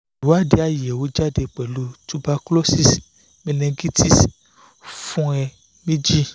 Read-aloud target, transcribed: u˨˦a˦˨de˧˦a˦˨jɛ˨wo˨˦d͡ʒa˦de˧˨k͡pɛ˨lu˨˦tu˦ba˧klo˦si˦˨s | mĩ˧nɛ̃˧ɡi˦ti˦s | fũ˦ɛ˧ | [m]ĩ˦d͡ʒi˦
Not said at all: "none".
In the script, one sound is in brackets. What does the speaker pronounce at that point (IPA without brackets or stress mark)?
m